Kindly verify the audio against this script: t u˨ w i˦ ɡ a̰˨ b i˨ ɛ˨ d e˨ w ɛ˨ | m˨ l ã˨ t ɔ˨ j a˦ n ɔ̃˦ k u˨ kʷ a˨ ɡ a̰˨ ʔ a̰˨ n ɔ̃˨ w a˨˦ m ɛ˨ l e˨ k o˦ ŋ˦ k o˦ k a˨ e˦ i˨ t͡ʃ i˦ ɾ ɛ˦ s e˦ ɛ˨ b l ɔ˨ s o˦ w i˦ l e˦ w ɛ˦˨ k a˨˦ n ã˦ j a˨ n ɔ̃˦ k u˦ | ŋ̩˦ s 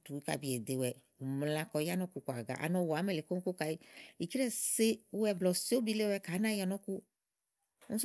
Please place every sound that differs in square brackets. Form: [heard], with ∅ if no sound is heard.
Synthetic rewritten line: t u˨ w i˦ [k] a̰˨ b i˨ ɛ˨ d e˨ w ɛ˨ | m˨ l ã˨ [k] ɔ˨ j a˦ n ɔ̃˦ k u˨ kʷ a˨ ɡ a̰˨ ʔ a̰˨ n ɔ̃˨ w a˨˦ m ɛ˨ l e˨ k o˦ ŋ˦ k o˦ k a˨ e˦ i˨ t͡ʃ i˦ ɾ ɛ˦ s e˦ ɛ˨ b l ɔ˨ s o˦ [b] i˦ l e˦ w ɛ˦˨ k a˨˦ n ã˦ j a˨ n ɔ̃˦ k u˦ | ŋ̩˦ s